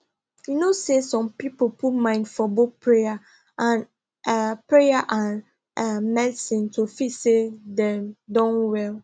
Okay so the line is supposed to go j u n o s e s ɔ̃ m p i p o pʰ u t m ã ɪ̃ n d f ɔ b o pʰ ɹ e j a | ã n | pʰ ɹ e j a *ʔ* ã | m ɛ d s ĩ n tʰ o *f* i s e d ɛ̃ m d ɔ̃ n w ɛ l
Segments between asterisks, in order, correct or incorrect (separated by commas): correct, correct